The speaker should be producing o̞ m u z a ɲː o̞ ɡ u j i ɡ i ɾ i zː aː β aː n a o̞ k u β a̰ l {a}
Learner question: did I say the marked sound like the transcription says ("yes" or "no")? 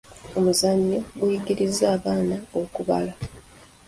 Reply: yes